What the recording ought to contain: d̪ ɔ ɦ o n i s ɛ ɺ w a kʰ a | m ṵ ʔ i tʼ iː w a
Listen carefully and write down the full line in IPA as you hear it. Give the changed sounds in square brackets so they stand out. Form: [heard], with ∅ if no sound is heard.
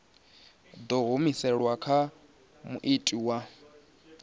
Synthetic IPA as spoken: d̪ ɔ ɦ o [m] i s ɛ ɺ w a kʰ a | m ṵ ʔ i tʼ [i] w a